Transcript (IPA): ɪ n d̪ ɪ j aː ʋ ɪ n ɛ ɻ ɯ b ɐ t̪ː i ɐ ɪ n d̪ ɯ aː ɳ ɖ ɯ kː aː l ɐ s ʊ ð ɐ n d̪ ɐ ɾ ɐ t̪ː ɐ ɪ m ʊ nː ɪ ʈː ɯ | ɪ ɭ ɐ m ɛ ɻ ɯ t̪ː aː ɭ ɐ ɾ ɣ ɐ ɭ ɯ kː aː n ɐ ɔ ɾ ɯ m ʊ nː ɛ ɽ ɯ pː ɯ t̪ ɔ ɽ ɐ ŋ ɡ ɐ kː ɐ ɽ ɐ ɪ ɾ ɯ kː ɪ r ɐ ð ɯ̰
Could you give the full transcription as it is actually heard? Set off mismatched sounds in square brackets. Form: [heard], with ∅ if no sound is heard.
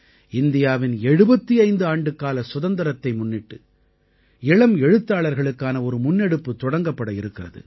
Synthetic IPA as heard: ɪ n d̪ ɪ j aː ʋ ɪ n ɛ ɻ ɯ b ɐ t̪ː i ɐ ɪ n d̪ ɯ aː ɳ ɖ ɯ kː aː l ɐ s ʊ ð ɐ n d̪ ɐ ɾ ɐ t̪ː ɐ ɪ m ʊ nː ɪ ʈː ɯ | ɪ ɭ ɐ m ɛ ɻ ɯ t̪ː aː ɭ ɐ ɾ ɣ ɐ ɭ ɯ kː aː n ɐ ɔ ɾ ɯ m ʊ nː ɛ ɽ ɯ pː ɯ t̪ ɔ ɽ ɐ ŋ ɡ ɐ [pː] ɐ ɽ ɐ ɪ ɾ ɯ kː ɪ r ɐ ð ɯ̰